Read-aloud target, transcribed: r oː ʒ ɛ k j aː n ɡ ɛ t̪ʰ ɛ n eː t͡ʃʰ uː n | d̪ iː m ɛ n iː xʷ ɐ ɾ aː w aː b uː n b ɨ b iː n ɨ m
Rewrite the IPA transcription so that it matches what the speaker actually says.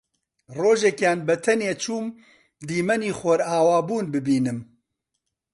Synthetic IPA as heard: r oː ʒ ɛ k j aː n b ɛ t̪ʰ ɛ n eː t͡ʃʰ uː m | d̪ iː m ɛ n iː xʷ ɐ ɾ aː w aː b uː n b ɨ b iː n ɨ m